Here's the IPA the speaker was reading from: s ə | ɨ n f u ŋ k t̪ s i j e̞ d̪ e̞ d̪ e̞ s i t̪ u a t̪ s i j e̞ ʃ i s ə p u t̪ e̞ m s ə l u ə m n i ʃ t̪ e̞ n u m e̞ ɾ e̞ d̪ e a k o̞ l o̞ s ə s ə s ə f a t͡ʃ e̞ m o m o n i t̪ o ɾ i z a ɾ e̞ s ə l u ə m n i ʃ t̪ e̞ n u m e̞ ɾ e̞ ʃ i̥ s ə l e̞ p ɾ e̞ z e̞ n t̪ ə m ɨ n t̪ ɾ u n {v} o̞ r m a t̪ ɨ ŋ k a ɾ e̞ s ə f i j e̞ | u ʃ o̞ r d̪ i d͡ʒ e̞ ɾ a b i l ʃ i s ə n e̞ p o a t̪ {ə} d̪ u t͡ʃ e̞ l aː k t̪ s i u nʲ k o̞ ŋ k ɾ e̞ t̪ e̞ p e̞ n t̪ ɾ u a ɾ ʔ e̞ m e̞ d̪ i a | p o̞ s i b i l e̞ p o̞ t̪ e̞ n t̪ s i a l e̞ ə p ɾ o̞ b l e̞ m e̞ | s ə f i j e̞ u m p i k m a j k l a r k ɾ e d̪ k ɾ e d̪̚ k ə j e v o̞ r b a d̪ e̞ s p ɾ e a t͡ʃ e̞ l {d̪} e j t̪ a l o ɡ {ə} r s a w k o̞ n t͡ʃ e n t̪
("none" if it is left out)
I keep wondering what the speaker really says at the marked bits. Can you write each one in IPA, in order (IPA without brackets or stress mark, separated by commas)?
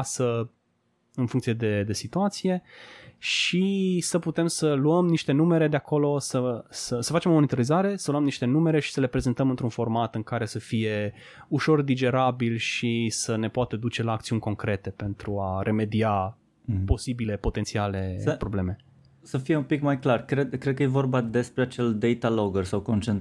f, ə, d̪, ə